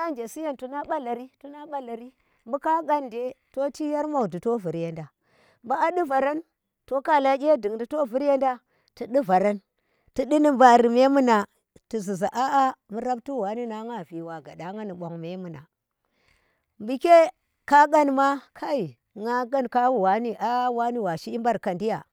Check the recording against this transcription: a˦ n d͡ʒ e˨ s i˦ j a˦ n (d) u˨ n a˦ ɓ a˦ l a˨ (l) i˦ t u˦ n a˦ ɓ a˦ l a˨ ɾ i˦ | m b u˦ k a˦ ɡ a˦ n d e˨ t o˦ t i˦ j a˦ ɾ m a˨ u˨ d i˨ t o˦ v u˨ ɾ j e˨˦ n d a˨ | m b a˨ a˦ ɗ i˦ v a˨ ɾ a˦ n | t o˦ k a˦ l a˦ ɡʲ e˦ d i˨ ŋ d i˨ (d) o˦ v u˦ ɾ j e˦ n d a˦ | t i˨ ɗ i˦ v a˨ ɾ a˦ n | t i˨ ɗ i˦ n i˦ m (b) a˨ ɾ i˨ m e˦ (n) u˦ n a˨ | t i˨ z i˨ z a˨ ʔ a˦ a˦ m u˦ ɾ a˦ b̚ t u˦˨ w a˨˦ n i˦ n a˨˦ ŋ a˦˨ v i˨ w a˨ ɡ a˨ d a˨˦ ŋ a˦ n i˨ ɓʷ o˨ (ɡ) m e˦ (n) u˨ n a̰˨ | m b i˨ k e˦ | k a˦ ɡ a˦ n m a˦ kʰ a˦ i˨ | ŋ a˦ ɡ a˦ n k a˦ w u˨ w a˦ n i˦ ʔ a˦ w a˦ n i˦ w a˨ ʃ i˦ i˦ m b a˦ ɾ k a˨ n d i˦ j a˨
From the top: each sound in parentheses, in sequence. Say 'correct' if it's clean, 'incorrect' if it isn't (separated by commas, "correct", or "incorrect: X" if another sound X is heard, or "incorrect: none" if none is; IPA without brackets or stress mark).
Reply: incorrect: t, incorrect: ɾ, incorrect: t, correct, incorrect: m, incorrect: ŋ, incorrect: m